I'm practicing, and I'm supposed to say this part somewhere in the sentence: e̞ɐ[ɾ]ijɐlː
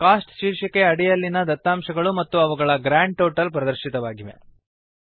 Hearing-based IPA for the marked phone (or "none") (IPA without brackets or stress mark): ɽ